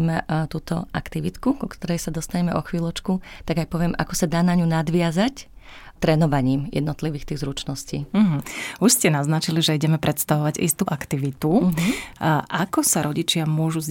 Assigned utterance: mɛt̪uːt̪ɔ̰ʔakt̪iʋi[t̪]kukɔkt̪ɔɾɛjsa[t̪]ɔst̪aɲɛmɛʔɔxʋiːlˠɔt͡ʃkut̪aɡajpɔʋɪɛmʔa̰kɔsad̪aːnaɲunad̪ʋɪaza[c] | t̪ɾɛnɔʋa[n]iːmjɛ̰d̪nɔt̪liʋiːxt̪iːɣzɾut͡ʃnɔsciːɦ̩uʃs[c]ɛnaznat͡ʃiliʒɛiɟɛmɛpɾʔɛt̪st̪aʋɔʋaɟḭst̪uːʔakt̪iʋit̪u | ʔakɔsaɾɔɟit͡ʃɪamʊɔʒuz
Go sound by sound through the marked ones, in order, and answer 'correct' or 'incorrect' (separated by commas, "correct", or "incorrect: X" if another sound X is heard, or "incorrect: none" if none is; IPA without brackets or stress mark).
correct, incorrect: d̪, correct, incorrect: ɲ, correct